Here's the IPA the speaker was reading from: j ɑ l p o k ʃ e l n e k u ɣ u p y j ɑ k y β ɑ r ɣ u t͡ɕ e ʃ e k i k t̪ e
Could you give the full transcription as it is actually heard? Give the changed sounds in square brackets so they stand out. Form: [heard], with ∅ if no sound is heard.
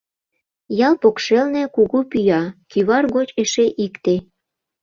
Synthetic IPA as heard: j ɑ l p o k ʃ e l n e k u ɣ u p y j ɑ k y β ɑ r ɣ [o] t͡ɕ e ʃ e [ʔ] i k t̪ e

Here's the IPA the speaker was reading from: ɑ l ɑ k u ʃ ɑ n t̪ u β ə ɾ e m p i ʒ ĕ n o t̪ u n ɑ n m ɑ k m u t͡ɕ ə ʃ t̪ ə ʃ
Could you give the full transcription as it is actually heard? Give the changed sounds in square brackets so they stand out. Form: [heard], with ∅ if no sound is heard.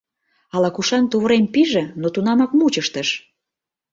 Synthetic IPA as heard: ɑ l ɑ k u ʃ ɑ n t̪ u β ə ɾ e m p i ʒ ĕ n o t̪ u n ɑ [∅] m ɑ k m u t͡ɕ ə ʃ t̪ ə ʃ

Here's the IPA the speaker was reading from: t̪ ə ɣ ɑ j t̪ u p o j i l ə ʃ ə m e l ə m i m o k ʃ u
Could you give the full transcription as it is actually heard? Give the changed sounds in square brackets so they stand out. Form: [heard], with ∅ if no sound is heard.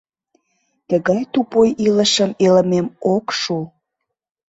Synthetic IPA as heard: t̪ ə ɣ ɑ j t̪ u p o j i l ə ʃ ə m e l ə m [e] m o k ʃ u

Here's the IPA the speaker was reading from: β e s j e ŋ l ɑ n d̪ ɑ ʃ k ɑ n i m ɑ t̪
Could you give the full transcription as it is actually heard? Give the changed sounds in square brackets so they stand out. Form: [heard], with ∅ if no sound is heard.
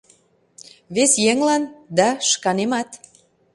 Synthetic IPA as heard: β e s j e ŋ l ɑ n d̪ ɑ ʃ k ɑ n [e] m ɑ t̪

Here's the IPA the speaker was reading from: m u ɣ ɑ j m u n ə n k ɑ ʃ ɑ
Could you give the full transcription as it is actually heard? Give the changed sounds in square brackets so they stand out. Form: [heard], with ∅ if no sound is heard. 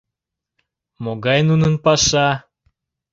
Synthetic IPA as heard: m [o] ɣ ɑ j [n] u n ə n [p] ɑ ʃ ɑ

